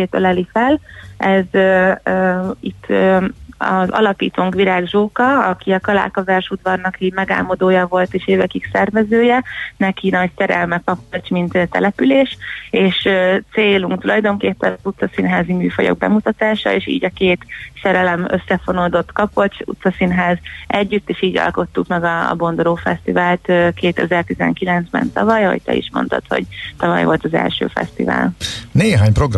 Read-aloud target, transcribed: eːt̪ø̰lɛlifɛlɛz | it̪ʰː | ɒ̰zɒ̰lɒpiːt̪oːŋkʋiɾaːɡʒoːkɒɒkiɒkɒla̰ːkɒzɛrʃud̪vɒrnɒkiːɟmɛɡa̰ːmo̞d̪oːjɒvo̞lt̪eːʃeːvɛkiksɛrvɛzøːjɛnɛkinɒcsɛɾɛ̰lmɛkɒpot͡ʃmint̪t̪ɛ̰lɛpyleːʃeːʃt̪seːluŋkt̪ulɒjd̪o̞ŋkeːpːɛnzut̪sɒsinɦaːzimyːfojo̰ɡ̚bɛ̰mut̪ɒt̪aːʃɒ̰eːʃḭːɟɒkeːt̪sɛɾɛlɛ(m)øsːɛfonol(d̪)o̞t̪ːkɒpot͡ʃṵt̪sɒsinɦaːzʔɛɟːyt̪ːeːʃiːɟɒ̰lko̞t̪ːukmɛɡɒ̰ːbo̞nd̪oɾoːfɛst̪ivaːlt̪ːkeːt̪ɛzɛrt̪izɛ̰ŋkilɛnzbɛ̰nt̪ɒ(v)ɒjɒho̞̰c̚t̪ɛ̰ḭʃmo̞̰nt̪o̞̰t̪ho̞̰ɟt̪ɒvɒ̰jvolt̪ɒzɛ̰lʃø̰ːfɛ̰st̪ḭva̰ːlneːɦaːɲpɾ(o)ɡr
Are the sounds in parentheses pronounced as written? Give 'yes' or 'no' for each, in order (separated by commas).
yes, yes, yes, yes